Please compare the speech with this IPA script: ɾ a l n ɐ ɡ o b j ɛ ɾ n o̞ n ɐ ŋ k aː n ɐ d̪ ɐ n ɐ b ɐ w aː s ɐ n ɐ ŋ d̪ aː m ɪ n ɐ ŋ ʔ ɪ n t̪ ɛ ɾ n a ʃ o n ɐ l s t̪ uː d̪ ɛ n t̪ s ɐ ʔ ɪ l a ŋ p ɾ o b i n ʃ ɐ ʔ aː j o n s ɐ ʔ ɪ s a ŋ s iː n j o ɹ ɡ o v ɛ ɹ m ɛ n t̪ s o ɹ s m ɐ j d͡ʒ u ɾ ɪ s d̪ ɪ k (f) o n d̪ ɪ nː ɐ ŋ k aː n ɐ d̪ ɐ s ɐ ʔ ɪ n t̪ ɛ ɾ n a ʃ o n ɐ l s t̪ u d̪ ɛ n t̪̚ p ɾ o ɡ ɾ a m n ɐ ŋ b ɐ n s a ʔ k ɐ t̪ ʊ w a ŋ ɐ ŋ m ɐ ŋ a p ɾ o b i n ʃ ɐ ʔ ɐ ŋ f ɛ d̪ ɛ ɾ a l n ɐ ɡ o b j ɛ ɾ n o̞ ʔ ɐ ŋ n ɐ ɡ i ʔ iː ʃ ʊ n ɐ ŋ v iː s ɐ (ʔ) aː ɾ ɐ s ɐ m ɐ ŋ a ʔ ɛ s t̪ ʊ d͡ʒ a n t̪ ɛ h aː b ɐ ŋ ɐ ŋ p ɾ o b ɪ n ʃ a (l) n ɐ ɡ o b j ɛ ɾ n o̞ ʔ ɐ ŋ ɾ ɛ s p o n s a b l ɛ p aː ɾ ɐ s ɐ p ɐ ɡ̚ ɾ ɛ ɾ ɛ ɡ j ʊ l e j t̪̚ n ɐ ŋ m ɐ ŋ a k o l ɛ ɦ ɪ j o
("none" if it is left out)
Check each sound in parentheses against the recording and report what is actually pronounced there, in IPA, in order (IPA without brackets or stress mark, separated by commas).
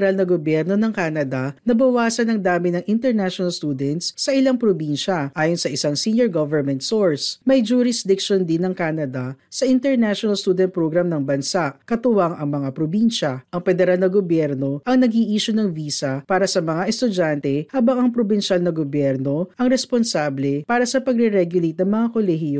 ʃ, p, l